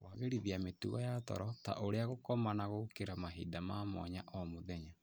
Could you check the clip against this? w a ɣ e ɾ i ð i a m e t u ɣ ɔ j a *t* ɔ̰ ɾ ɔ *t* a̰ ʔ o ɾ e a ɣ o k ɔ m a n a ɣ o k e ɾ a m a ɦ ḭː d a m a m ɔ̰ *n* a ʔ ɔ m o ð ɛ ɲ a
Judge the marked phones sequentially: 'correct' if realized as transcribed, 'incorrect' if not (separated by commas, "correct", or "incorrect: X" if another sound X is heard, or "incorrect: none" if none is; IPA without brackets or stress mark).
correct, correct, incorrect: ɲ